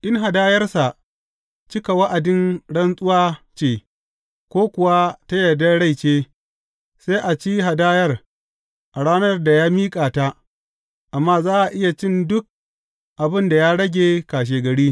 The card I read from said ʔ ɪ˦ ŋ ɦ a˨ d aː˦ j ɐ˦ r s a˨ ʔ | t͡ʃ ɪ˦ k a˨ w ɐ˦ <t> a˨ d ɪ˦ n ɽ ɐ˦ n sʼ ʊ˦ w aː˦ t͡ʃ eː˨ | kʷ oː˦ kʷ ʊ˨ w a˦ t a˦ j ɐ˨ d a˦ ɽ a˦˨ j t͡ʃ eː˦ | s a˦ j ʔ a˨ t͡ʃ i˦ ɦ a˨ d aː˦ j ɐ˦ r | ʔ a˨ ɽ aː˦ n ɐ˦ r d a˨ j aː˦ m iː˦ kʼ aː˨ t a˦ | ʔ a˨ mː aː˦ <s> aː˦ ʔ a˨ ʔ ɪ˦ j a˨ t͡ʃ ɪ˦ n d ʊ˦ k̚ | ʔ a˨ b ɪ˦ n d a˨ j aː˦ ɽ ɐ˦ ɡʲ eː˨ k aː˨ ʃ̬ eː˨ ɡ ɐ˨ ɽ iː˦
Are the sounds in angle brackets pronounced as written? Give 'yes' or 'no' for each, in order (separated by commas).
no, no